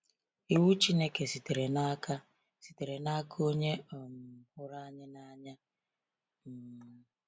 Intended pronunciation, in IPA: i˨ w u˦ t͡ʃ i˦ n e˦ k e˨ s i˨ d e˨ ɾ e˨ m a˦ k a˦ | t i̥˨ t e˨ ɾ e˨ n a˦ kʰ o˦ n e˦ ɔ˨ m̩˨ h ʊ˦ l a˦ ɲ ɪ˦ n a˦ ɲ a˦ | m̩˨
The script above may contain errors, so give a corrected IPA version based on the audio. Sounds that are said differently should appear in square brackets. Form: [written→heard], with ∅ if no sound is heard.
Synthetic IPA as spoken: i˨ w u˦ t͡ʃ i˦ n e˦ k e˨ s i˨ [d→t] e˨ ɾ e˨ [m→n] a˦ k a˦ | [t→s] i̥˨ t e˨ ɾ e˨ n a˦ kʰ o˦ [n→ɲ] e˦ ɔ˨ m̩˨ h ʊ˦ [l→ɾ] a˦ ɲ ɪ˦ n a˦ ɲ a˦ | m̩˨